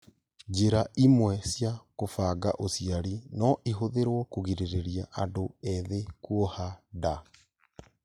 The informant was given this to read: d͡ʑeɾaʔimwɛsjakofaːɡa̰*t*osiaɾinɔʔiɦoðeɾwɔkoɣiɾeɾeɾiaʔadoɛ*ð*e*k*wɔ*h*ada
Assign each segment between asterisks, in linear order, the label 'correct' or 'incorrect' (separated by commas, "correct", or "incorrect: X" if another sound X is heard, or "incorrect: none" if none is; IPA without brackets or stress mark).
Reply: incorrect: ʔ, correct, correct, correct